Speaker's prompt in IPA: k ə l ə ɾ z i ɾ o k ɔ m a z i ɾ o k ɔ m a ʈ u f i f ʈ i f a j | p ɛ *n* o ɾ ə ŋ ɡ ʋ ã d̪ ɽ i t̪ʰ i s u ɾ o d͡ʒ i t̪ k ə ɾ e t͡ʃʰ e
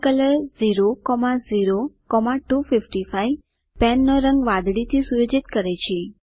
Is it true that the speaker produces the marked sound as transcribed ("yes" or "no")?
no